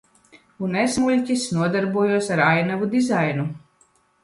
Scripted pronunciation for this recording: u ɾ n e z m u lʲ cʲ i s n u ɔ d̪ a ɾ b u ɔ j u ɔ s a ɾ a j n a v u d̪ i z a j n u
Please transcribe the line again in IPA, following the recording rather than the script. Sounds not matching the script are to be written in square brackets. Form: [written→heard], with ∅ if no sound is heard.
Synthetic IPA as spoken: u [ɾ→∅] n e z m u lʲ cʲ i s n u ɔ d̪ a ɾ b u ɔ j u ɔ s a ɾ a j n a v u d̪ i z a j n u